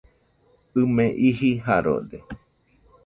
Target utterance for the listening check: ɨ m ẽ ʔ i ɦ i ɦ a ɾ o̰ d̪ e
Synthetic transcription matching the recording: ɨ m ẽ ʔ i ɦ i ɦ a ɾ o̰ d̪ e